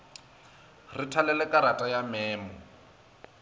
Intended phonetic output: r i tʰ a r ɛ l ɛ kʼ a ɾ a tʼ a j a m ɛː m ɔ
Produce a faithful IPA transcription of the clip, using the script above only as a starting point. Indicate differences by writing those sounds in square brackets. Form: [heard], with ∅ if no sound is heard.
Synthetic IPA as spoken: r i tʰ a [l] ɛ l ɛ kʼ a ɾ a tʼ a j a m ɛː m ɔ